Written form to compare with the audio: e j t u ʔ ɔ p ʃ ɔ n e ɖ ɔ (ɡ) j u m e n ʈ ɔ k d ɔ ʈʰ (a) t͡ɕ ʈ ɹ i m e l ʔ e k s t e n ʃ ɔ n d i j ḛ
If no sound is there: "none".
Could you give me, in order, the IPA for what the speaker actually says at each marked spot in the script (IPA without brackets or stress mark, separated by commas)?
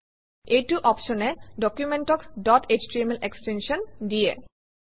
k, e